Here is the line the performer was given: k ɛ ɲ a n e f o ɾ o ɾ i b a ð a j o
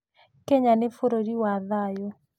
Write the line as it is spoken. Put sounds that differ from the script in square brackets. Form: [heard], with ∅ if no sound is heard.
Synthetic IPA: k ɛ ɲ a n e f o ɾ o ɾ i [w] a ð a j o